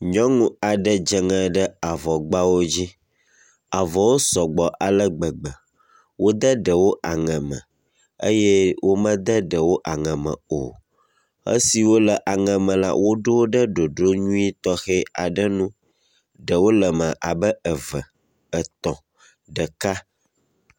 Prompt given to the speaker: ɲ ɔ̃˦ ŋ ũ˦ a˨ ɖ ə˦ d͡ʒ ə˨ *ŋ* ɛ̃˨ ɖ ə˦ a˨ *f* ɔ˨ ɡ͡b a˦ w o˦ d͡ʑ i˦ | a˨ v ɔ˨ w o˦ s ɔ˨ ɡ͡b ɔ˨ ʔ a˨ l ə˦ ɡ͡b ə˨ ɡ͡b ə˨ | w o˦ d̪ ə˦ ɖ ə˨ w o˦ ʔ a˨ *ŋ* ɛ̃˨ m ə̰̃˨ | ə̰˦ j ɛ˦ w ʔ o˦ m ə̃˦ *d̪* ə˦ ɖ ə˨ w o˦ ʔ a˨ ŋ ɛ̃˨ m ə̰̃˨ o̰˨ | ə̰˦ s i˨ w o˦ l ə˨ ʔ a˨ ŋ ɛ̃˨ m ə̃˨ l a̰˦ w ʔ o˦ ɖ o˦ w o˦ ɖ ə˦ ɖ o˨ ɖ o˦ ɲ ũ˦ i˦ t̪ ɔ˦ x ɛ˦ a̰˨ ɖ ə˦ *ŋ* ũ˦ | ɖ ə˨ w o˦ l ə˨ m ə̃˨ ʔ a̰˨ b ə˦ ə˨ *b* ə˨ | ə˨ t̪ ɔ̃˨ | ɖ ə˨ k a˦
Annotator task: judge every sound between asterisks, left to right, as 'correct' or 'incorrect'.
correct, incorrect: v, correct, correct, incorrect: n, incorrect: v

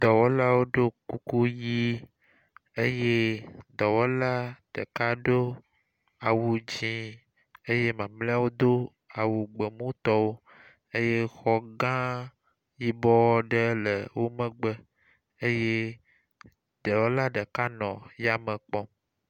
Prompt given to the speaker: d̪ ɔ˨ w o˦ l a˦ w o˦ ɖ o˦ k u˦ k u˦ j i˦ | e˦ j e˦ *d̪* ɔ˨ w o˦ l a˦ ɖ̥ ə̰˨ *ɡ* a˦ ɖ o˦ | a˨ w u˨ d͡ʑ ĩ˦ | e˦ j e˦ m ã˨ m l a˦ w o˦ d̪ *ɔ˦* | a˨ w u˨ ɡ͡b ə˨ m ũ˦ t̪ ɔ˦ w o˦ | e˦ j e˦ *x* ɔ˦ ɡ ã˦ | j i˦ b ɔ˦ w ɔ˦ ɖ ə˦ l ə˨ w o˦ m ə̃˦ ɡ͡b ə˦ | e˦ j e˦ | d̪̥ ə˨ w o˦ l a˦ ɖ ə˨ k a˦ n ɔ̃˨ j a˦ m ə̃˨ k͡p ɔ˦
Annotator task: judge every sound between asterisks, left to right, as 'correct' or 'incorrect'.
correct, incorrect: k, incorrect: o˦, correct

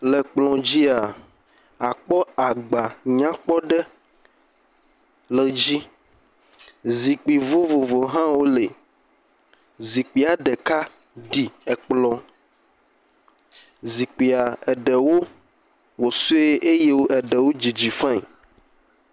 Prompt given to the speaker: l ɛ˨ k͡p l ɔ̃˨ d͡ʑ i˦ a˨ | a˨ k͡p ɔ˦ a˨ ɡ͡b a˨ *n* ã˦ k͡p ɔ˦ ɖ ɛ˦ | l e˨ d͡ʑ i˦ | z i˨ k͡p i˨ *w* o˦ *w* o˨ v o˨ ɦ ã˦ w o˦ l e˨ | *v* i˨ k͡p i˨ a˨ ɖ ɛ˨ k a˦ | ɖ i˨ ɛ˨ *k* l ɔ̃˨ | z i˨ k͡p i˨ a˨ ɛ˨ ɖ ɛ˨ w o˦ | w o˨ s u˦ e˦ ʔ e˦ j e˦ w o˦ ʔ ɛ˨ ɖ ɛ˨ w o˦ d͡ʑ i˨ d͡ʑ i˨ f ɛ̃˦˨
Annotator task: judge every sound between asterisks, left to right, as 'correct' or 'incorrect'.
incorrect: ɲ, incorrect: v, incorrect: v, incorrect: z, incorrect: k͡p

